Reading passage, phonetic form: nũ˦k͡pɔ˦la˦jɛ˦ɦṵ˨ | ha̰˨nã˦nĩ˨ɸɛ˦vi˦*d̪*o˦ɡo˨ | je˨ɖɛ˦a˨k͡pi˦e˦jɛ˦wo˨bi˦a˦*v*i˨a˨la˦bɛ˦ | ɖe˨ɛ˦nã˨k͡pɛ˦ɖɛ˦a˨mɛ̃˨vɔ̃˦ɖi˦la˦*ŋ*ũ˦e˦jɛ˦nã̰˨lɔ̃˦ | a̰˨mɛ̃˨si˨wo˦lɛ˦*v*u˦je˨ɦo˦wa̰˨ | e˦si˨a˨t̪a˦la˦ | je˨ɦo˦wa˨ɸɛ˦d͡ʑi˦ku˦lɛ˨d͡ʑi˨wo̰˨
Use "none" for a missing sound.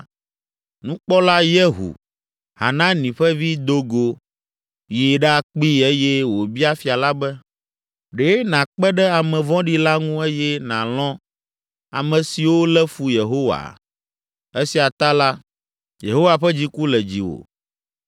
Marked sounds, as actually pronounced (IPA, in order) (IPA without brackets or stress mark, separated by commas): d̪, f, ŋ, f